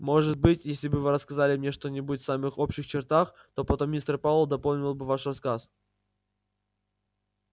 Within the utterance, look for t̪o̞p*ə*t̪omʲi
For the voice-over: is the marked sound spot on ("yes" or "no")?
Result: no